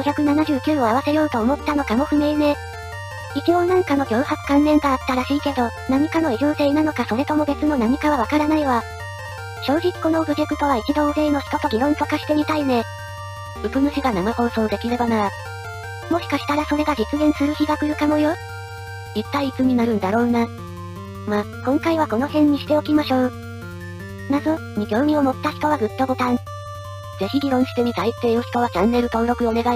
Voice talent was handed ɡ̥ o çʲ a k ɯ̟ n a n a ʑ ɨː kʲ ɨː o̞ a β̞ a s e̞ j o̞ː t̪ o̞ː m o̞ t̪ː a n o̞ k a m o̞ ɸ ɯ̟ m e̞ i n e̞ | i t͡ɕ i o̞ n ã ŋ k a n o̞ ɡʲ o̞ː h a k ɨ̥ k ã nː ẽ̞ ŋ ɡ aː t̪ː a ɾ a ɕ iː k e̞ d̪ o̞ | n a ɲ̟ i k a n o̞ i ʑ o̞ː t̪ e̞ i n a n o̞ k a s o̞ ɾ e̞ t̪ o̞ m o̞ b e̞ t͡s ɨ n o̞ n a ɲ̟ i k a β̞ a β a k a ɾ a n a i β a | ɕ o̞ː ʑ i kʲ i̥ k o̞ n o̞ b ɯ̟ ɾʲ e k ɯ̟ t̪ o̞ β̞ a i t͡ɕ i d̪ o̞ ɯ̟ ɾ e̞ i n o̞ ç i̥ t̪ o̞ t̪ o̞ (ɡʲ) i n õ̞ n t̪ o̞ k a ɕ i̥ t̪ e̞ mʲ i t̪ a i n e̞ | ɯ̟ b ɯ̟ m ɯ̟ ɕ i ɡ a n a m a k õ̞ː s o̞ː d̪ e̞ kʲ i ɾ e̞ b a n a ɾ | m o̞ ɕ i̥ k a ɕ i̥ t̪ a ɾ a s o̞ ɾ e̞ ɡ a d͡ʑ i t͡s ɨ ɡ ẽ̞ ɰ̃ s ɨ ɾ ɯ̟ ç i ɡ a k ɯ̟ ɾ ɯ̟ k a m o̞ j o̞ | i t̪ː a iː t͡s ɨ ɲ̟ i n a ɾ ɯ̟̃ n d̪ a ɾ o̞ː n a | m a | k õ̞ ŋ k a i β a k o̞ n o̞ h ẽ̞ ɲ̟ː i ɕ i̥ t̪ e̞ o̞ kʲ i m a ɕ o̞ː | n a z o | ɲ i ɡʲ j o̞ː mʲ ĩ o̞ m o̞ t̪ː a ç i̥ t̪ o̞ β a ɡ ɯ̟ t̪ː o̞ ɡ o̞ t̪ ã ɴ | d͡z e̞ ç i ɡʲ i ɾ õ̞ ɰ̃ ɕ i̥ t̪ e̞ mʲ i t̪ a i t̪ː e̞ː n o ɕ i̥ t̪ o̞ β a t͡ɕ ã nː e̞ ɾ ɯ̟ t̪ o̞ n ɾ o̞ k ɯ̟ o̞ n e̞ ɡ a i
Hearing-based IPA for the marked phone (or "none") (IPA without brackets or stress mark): ɡʲ